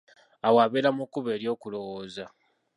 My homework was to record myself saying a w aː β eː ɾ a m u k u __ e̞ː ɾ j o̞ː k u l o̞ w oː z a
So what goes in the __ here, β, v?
β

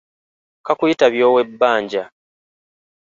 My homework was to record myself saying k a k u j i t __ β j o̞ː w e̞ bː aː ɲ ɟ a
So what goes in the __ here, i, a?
a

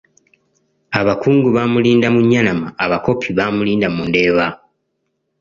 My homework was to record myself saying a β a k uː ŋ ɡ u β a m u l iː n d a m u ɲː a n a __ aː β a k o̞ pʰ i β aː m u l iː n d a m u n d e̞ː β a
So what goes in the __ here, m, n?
m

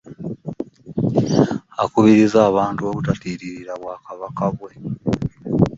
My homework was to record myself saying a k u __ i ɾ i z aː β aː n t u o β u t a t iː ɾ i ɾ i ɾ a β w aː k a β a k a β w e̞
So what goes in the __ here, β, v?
β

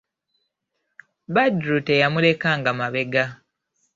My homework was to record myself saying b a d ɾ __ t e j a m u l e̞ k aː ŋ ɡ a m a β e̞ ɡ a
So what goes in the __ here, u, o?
u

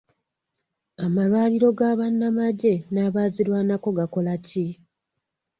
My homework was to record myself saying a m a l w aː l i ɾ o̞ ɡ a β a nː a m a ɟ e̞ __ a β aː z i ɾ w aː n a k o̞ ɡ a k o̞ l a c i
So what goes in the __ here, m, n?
n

